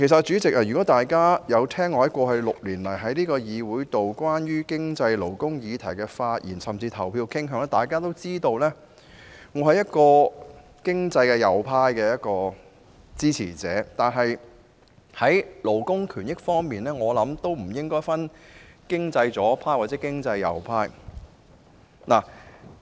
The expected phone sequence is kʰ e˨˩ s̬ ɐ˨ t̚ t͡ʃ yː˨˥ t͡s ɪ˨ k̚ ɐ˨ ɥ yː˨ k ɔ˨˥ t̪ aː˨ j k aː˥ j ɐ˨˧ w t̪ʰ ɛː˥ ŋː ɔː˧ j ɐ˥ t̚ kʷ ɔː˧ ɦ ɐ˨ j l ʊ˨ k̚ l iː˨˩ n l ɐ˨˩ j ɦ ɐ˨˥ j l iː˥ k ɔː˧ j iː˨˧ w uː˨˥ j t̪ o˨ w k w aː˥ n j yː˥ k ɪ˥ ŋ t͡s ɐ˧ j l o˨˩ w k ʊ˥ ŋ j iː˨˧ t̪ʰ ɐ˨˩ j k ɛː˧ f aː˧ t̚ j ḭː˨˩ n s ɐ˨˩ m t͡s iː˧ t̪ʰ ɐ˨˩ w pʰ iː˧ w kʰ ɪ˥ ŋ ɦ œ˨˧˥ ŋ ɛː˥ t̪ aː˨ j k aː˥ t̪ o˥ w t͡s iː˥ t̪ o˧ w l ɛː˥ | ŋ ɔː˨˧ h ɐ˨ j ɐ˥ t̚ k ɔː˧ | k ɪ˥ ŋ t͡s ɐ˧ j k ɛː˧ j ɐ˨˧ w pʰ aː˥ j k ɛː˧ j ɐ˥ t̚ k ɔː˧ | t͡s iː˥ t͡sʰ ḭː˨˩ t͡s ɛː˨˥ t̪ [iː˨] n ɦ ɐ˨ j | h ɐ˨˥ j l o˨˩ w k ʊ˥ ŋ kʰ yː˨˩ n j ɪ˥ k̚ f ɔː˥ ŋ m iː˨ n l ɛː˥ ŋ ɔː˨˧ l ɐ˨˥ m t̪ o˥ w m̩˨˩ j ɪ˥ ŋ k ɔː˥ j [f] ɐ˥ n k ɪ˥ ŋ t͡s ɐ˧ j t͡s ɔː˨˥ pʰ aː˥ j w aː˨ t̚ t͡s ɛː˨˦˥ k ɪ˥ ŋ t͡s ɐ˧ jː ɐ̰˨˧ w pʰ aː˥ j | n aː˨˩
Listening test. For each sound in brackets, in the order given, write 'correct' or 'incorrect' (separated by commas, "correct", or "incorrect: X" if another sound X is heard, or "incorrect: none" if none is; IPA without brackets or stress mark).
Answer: incorrect: aː˨, correct